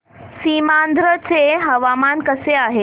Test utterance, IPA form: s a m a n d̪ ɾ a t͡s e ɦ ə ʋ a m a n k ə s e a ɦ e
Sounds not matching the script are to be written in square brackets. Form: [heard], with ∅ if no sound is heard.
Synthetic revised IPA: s [i] m a n d̪ ɾ [ə] t͡s e ɦ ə ʋ a m a n k ə s e a ɦ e